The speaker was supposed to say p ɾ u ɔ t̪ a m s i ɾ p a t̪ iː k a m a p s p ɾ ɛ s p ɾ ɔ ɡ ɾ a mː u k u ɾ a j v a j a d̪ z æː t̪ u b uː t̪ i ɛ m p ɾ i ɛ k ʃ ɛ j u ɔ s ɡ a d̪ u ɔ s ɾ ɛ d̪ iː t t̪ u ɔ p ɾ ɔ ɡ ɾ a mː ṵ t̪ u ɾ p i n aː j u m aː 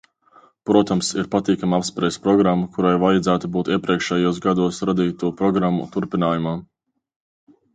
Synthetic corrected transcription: p ɾ u ɔ t̪ a m s i ɾ p a t̪ iː k a m a p s p ɾ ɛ s p ɾ ɔ ɡ ɾ a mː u k u ɾ a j v a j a d̪ z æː t̪ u b uː t̪ i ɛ p ɾ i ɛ k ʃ ɛ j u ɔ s ɡ a d̪ u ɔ s ɾ a d̪ iː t t̪ u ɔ p ɾ ɔ ɡ ɾ a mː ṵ t̪ u ɾ p i n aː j u m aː